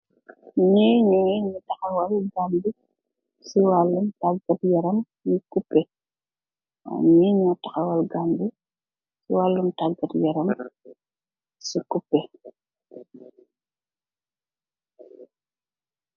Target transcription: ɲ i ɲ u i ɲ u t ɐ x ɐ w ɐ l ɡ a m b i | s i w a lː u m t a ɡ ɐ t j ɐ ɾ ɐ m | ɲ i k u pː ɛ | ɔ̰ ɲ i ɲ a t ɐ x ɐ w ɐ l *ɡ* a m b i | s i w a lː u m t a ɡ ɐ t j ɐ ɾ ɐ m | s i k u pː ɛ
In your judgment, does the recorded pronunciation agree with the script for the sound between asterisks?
yes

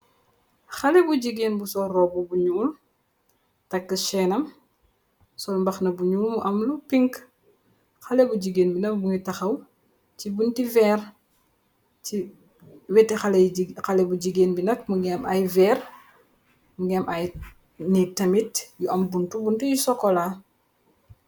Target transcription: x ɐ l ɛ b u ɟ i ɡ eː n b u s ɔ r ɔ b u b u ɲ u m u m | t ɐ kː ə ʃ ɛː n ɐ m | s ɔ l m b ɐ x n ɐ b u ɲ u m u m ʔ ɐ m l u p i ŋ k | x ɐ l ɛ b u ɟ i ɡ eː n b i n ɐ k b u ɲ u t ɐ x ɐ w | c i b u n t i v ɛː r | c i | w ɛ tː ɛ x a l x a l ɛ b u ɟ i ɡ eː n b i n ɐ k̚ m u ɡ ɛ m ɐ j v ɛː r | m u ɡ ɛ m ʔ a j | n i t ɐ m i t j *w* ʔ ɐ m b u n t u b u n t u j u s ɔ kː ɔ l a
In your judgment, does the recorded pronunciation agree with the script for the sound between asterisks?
no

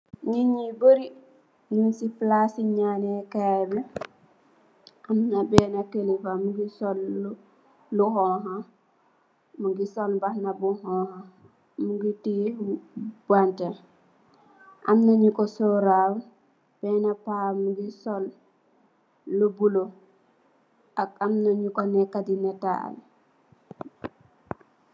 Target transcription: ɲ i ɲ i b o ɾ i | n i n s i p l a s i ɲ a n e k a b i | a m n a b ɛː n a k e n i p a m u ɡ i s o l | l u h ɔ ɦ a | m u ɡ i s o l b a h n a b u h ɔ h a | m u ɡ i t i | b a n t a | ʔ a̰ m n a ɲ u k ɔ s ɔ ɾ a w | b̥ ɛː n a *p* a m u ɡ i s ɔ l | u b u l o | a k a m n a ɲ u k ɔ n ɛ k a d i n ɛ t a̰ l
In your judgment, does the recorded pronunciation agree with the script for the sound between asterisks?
yes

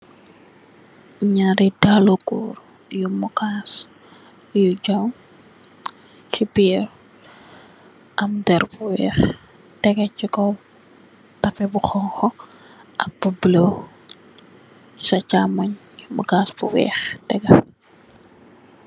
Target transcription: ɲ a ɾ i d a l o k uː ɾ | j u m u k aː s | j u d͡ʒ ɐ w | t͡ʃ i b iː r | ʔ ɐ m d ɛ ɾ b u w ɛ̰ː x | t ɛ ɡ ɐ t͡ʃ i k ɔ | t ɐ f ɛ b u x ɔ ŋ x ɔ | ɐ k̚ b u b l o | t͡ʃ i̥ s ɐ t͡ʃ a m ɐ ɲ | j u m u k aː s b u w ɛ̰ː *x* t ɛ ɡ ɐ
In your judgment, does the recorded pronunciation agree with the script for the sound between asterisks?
yes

